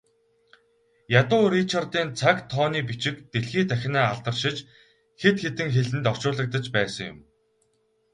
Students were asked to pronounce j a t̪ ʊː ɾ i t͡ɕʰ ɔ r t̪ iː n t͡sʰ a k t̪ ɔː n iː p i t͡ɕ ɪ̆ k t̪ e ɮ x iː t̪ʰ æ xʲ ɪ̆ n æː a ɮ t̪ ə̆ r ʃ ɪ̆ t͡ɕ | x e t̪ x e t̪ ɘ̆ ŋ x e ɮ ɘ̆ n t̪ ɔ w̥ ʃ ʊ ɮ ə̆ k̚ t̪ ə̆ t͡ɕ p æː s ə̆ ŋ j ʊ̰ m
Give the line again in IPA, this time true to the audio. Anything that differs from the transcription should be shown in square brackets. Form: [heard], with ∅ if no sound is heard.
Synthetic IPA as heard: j a t̪ ʊː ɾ i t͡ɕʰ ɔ r t̪ iː n t͡sʰ a k [t̪ʰ] ɔː n iː p i t͡ɕ ɪ̆ k t̪ e ɮ x iː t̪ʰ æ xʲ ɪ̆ n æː a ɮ t̪ ə̆ r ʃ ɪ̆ t͡ɕ | x e t̪ x e t̪ ɘ̆ ŋ x e ɮ ɘ̆ n t̪ ɔ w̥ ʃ [ʊː] ɮ ə̆ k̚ t̪ ə̆ t͡ɕ p æː s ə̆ ŋ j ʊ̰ m